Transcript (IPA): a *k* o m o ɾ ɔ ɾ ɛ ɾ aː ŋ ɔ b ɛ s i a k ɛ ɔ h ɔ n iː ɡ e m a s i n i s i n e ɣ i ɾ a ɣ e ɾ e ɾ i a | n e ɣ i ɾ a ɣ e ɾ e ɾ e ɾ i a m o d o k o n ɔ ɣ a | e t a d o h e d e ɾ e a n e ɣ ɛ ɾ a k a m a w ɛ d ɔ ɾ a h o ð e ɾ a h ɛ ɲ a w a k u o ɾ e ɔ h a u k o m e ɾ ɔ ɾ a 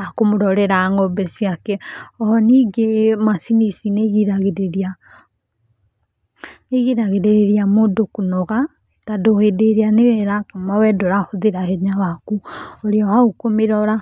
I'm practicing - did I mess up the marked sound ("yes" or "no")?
no